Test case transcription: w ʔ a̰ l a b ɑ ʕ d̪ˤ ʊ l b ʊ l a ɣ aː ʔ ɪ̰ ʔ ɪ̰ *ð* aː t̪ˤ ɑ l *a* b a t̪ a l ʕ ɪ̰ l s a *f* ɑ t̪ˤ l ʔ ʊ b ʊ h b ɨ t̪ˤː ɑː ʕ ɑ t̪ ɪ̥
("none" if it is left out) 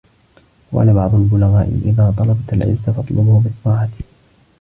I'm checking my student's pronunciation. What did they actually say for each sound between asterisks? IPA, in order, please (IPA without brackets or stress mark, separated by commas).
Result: ð, ɑ, f